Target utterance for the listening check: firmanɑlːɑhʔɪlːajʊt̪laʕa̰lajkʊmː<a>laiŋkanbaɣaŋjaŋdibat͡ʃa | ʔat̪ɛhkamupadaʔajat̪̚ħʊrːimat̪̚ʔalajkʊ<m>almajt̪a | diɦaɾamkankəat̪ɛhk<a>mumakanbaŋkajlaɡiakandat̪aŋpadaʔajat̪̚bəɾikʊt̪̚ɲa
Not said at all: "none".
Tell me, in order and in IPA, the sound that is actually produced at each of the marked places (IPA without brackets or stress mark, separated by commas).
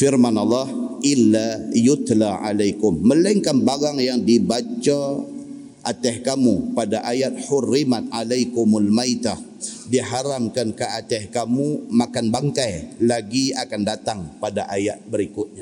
ə, m, a